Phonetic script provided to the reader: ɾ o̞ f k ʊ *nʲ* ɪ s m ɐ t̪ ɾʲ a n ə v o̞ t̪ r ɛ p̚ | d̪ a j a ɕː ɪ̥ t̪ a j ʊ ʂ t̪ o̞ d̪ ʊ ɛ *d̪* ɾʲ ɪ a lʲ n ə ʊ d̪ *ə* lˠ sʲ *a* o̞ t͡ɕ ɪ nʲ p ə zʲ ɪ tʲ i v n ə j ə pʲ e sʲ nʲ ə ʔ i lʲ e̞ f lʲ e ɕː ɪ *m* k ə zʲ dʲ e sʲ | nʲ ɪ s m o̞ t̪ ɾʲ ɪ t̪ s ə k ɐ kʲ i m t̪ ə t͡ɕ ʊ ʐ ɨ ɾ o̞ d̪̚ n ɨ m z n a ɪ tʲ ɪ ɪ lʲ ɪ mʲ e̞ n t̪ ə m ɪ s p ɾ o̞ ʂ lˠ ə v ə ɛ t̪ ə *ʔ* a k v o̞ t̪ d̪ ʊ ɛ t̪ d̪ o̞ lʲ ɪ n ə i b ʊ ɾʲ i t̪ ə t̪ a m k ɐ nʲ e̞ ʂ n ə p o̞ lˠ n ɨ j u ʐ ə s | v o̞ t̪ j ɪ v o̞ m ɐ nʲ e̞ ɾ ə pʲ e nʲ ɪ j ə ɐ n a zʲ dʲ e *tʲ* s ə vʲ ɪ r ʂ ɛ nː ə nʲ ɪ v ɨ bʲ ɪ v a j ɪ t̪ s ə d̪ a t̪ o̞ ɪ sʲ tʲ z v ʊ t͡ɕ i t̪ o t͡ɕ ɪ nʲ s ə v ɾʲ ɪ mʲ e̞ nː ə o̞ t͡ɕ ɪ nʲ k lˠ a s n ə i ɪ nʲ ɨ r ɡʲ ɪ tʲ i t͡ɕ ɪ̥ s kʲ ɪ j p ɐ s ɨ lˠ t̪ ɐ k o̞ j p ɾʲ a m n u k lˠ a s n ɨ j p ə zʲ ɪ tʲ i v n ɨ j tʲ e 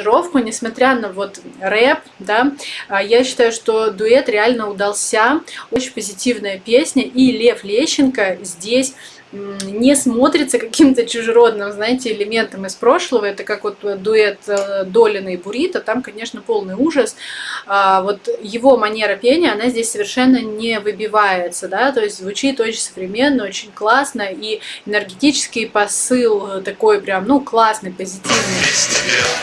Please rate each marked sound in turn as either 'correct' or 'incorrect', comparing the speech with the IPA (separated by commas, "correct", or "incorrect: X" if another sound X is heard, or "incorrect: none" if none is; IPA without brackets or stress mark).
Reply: correct, incorrect: t̪, incorrect: ɐ, correct, incorrect: n, incorrect: k, incorrect: sʲ